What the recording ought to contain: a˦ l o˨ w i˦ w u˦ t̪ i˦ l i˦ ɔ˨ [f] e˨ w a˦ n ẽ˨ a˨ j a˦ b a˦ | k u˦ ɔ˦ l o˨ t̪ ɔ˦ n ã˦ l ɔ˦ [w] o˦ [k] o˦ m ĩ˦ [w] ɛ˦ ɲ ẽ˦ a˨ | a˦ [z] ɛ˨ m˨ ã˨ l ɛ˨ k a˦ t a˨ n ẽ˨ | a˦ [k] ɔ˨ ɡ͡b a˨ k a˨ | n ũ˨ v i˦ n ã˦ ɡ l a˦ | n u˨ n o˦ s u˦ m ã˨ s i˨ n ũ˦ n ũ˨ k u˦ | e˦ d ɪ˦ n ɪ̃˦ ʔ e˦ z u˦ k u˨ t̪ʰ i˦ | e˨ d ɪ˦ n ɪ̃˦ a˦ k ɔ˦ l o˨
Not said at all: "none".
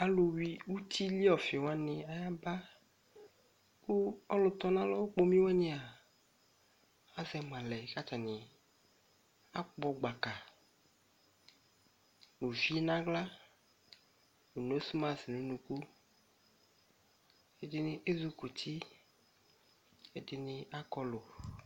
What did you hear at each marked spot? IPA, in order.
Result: f, w, k͡p, w, z, k͡p

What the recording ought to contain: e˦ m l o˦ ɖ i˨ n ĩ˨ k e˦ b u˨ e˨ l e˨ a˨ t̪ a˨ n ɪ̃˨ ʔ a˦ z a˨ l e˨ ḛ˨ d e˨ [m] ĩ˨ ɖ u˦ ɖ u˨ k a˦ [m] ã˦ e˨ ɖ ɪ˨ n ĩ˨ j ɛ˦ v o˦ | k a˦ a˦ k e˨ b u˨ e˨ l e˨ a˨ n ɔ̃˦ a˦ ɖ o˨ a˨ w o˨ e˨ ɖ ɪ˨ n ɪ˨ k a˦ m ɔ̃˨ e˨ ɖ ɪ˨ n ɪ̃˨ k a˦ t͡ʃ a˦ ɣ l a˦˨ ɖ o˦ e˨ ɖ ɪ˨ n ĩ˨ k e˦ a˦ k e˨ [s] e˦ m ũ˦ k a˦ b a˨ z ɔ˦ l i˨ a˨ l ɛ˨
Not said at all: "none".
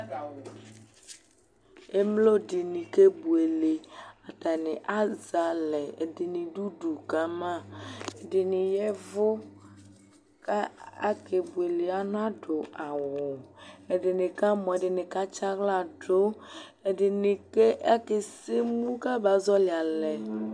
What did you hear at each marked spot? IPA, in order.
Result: n, m, s

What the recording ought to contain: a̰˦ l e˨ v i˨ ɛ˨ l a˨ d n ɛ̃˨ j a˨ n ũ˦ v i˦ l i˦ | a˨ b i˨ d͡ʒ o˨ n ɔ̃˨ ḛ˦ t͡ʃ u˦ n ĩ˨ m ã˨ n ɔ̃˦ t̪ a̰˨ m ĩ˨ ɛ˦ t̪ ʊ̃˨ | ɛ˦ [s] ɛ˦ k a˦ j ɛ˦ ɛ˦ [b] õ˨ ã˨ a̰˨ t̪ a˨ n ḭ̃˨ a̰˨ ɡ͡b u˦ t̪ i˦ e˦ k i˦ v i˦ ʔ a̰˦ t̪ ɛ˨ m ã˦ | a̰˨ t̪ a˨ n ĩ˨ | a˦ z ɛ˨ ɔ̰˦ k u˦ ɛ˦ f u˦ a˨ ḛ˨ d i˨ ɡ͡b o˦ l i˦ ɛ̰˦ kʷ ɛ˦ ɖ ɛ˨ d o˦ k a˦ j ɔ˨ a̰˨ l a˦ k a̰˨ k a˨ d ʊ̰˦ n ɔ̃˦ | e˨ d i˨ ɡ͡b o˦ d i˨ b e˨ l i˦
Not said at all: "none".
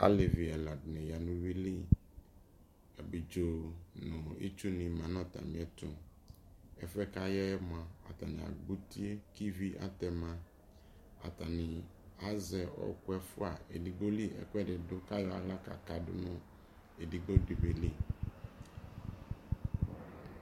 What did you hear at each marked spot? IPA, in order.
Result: f, m

